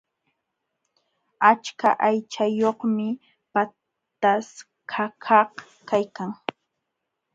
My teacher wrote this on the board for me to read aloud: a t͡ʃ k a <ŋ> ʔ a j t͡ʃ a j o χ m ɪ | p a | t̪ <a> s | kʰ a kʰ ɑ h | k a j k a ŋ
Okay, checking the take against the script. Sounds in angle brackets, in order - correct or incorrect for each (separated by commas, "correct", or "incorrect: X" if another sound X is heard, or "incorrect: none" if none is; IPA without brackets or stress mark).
incorrect: none, correct